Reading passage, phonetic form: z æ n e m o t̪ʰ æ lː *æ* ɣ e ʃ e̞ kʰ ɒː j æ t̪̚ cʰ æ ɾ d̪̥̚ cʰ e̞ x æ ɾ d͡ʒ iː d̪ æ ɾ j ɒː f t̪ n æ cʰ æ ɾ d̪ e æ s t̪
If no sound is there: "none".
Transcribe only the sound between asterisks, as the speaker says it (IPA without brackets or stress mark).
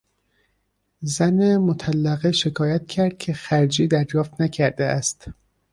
æ